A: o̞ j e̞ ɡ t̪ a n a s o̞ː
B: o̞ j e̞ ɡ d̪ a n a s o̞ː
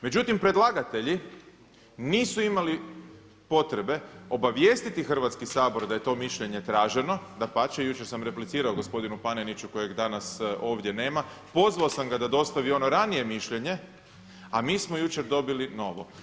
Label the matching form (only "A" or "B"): B